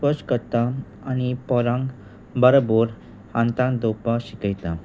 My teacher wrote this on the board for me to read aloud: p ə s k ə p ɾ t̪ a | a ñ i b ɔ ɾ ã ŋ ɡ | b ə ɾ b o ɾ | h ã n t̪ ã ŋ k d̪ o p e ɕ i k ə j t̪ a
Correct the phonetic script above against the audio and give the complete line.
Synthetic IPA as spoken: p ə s k ə ɾ t̪ a | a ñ i p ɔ ɾ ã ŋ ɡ | b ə ɾ b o ɾ | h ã n t̪ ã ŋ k d̪ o p a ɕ i k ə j t̪ a